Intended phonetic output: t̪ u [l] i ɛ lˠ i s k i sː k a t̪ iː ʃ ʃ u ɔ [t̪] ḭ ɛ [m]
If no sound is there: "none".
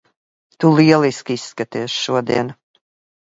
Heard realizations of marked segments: l, d̪, n

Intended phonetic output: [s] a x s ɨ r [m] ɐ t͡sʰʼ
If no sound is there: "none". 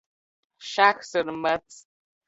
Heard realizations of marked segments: ʃ, m

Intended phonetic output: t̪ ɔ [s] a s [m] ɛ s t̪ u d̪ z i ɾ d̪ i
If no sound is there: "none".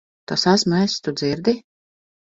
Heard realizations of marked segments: s, m

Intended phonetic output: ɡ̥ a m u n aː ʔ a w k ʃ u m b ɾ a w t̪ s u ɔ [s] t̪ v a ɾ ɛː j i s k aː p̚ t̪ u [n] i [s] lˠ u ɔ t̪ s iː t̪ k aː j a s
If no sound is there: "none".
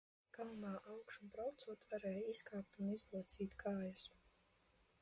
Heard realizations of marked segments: none, n, z

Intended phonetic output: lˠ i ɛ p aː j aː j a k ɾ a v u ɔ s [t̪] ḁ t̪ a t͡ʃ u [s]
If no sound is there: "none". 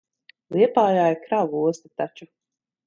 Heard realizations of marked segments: t̪, none

